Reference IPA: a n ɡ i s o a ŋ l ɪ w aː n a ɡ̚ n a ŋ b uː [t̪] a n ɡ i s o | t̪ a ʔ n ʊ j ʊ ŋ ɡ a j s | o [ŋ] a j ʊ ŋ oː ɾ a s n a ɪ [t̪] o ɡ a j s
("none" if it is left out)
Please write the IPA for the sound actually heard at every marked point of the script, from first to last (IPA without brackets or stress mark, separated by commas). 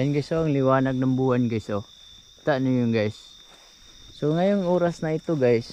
none, ŋ, t̪